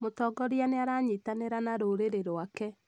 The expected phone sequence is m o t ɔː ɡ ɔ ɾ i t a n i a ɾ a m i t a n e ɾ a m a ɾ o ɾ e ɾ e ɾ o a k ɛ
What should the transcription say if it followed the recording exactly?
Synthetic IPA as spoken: m o t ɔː ɡ ɔ ɾ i a n e a ɾ a ɲ i t a n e ɾ a n a ɾ o ɾ e ɾ e ɾ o a k ɛ